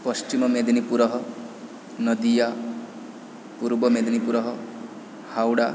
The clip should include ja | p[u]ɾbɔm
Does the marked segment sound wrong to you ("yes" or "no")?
no